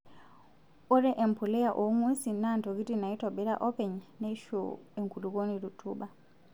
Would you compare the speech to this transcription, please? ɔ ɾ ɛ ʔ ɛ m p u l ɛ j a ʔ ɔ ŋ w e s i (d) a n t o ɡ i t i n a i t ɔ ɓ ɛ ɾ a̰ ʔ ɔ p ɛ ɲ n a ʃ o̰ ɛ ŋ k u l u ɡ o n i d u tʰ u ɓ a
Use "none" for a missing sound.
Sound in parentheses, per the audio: n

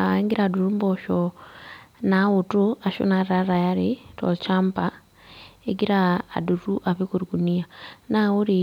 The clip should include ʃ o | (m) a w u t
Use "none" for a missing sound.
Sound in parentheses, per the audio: n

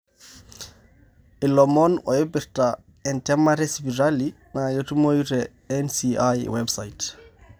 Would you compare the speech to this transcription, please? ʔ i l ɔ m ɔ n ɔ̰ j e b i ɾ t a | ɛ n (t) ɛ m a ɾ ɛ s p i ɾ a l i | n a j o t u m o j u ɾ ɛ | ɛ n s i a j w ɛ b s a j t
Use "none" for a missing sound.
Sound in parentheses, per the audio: t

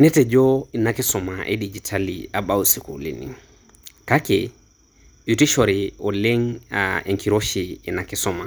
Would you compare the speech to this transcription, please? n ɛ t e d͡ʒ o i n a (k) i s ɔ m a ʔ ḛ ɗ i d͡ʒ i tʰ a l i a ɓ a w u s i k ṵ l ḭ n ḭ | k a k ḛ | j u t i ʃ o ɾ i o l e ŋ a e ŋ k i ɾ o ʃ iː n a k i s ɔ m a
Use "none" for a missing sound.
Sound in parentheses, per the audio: k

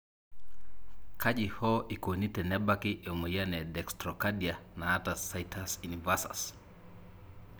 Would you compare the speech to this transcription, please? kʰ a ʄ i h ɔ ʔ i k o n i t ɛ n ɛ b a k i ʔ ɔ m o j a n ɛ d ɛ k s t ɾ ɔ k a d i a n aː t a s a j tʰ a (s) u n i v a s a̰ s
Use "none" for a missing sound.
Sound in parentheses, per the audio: s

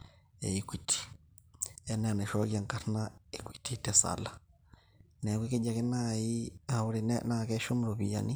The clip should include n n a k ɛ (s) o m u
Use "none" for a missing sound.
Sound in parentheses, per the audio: ʃ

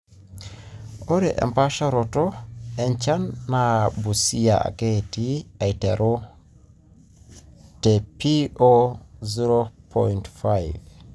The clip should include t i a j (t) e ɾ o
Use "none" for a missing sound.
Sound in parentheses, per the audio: t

